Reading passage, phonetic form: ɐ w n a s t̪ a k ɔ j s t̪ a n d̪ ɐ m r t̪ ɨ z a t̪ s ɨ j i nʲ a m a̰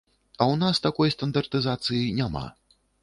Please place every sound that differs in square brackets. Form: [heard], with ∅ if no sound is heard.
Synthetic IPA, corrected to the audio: ɐ w n a s t̪ a k ɔ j s t̪ [ɐ] n d̪ ɐ [∅] r t̪ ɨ z a t̪ s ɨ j i nʲ a m a̰